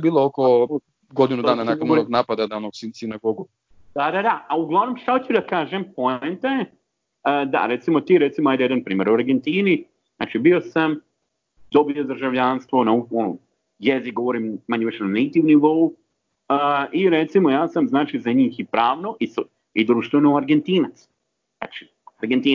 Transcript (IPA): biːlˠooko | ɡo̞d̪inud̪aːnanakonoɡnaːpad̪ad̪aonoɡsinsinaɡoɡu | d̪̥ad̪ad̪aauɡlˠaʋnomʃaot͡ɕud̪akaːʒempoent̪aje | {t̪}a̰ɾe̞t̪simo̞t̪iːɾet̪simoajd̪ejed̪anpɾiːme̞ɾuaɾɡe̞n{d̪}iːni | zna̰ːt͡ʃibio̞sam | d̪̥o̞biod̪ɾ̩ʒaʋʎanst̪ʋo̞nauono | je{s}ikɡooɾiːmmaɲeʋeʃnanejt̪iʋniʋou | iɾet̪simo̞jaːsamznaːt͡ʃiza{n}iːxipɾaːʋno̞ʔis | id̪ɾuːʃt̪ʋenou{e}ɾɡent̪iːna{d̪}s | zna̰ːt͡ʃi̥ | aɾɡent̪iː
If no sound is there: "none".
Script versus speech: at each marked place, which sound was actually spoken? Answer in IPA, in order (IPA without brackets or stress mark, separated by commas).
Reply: d̪, t̪, z, ɲ, a, t̪